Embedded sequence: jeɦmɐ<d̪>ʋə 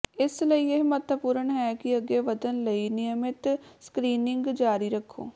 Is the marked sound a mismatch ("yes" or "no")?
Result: yes